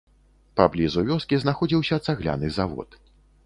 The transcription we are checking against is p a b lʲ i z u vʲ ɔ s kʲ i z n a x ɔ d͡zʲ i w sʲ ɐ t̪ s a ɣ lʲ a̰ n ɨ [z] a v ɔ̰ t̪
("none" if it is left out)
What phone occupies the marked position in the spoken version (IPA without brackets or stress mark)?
z